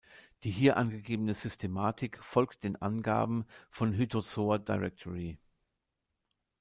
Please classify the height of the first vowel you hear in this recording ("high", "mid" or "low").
high